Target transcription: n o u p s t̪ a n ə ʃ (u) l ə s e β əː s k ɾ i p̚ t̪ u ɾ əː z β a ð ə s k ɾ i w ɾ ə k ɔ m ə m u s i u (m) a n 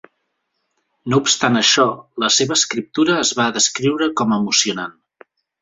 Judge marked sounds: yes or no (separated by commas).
no, no